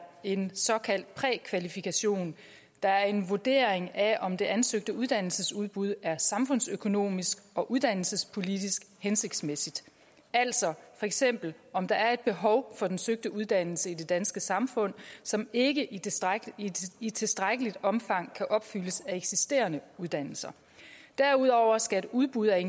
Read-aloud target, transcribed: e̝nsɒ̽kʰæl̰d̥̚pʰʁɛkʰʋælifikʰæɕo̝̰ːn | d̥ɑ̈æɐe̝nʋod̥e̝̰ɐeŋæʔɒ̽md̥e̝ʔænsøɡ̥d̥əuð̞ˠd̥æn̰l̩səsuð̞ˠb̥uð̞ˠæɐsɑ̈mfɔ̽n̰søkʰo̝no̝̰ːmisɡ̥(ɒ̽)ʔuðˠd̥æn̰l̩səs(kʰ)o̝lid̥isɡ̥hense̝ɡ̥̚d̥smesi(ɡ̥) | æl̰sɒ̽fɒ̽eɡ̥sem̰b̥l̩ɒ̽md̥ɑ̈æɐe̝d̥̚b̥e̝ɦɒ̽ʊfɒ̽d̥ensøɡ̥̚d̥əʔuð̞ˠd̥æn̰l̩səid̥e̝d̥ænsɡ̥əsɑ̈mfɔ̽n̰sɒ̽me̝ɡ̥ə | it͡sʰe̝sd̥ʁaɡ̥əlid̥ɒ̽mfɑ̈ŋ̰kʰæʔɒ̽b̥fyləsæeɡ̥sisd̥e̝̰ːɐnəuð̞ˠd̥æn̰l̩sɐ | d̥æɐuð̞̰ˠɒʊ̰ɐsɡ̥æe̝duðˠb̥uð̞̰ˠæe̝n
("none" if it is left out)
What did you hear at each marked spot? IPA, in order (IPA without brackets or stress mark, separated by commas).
ɒ̽, pʰ, d̥